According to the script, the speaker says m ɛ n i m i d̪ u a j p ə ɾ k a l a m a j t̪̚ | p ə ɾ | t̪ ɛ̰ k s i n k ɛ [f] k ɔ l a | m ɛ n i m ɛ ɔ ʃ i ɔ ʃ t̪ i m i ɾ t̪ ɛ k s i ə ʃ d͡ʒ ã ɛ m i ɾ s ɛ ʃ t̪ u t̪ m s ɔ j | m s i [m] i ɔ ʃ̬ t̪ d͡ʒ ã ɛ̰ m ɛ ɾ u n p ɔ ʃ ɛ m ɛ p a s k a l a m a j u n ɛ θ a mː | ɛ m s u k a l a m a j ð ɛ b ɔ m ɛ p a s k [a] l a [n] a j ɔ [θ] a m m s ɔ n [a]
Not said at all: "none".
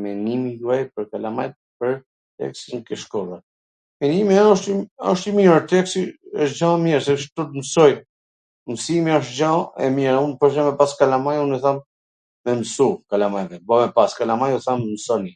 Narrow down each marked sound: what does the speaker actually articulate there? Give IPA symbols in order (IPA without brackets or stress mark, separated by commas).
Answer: ʃ, m, a, m, θ, i